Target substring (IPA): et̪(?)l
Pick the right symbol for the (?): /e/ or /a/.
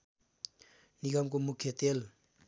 e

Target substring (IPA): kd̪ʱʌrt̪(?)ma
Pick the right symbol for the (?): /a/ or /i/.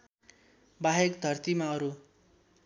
i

